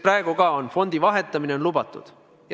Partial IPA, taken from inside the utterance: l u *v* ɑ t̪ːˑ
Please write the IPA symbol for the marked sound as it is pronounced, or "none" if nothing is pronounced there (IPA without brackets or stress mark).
b